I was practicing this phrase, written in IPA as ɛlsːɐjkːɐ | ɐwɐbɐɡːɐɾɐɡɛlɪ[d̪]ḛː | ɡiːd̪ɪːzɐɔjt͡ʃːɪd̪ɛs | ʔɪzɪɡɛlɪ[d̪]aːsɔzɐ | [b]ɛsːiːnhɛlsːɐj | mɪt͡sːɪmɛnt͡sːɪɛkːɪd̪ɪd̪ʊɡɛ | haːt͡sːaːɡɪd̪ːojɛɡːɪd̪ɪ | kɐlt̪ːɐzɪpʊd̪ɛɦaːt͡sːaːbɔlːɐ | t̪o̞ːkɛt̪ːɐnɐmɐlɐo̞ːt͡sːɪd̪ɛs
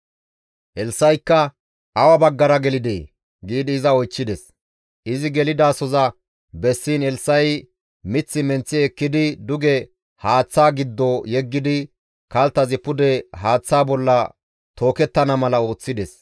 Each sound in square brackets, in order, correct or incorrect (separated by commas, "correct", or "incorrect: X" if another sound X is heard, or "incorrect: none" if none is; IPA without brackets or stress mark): correct, correct, correct